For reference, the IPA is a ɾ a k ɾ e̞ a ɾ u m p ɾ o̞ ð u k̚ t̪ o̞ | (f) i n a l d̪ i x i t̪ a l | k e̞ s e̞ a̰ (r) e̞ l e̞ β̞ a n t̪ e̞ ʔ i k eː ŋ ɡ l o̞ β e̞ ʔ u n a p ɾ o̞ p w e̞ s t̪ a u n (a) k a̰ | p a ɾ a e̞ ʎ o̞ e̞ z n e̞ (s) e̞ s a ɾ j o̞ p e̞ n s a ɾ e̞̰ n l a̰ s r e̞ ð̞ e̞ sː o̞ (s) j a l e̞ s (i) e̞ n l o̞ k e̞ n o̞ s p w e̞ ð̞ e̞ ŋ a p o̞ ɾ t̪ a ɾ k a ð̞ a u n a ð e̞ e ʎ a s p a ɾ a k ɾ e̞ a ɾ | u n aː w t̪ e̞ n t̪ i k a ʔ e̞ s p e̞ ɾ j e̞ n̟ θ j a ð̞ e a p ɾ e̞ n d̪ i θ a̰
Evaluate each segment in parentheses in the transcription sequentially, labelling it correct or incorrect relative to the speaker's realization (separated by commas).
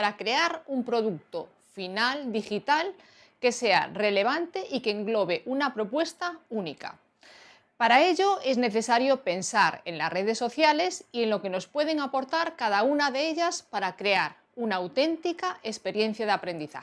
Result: correct, correct, incorrect, incorrect, incorrect, correct